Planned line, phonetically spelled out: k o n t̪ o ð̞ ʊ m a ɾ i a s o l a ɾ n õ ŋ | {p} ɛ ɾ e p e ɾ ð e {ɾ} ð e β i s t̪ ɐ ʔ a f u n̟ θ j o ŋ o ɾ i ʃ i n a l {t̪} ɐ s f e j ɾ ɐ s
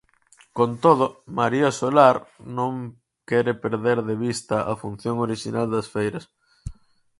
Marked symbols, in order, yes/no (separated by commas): no, yes, no